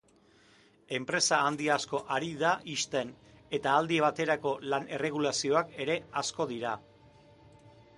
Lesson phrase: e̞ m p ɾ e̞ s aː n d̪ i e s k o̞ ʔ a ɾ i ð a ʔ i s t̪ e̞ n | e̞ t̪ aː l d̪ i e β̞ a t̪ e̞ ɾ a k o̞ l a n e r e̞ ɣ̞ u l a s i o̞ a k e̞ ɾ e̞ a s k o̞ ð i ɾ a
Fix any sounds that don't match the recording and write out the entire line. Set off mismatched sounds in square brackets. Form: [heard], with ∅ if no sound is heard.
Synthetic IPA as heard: e̞ m p ɾ e̞ s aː n d̪ i [a] s k o̞ ʔ a ɾ i ð a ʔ i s t̪ e̞ n | e̞ t̪ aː l d̪ i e β̞ a t̪ e̞ ɾ a k o̞ l a n e r e̞ ɣ̞ u l a s i o̞ a k e̞ ɾ e̞ a s k o̞ ð i ɾ a